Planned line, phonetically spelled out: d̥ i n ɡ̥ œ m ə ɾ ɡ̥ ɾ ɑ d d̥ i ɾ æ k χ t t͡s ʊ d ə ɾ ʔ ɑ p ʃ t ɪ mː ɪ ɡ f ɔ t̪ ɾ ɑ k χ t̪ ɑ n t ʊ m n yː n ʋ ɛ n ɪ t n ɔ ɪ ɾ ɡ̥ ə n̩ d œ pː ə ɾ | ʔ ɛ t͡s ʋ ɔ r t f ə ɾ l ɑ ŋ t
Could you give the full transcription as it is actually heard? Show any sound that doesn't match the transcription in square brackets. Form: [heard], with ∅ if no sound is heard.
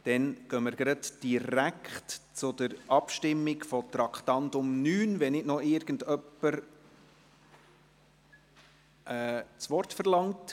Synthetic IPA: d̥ [ɛ] n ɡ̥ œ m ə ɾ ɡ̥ ɾ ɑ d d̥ i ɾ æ k χ t t͡s ʊ d ə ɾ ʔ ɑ p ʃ t ɪ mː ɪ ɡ f ɔ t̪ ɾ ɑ k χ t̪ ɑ n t ʊ m n yː n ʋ ɛ n ɪ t n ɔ ɪ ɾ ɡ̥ ə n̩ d œ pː ə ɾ | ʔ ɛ t͡s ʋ ɔ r t f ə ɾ l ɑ ŋ t